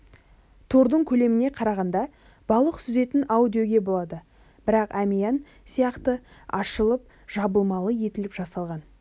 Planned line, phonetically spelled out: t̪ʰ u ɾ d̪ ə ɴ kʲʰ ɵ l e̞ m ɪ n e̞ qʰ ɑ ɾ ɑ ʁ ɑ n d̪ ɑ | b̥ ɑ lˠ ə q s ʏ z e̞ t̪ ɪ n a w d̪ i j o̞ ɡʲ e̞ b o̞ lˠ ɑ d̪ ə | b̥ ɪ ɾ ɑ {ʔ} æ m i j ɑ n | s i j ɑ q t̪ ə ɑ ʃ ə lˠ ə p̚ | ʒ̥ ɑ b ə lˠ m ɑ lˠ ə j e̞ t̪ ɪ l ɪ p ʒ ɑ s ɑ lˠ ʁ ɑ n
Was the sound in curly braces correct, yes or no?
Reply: no